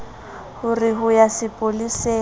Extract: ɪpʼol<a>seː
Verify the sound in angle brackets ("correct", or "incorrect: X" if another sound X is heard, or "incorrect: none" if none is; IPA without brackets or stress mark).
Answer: incorrect: i